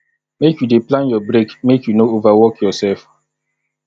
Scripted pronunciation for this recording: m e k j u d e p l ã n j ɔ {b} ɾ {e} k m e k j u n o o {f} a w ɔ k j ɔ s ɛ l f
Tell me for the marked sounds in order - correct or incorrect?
correct, correct, incorrect: v

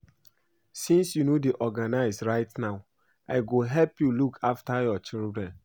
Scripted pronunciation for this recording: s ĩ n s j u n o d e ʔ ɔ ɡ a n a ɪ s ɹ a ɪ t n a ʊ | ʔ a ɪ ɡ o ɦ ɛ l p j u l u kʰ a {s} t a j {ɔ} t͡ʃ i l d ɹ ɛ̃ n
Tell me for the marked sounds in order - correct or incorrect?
incorrect: f, correct

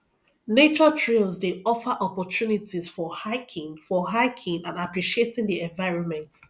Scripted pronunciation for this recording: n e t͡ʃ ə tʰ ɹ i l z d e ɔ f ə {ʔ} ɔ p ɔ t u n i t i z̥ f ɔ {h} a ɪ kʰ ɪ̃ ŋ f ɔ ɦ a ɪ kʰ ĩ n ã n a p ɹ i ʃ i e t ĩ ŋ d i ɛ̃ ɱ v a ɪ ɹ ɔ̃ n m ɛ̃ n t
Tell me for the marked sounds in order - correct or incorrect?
correct, correct

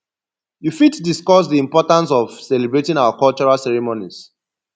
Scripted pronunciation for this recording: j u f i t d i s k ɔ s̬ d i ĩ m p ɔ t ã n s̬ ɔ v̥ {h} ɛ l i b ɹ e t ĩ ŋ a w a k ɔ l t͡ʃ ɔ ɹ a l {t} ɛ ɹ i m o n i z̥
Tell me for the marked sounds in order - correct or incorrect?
incorrect: s, incorrect: s

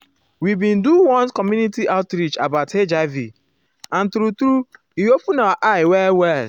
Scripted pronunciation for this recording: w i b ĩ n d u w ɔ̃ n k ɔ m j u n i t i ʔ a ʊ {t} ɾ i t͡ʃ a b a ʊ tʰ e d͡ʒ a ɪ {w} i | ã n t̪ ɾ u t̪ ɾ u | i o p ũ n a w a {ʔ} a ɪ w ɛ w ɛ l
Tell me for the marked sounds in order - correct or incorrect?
correct, incorrect: v, correct

